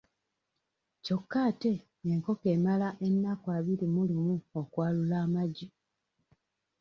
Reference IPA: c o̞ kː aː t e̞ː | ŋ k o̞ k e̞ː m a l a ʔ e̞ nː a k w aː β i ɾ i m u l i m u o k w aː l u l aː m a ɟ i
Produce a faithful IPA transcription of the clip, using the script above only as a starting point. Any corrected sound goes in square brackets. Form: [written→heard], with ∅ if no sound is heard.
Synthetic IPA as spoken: c o̞ kː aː t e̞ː | ŋ k o̞ k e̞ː m a l a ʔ e̞ nː a k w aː β i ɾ i m u l i m u o k w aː l u l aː m a ɟ i